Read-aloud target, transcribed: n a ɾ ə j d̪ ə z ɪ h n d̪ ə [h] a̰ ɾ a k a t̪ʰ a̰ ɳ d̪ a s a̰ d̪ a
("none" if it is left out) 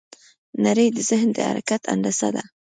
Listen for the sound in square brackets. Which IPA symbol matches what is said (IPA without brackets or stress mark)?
h